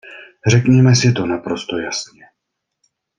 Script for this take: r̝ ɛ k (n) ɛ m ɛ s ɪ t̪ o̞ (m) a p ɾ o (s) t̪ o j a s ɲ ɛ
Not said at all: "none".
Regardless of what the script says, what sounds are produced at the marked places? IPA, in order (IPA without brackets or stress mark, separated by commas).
ɲ, n, s